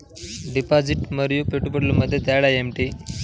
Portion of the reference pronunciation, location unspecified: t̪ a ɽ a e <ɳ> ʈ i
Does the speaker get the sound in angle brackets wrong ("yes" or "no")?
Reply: yes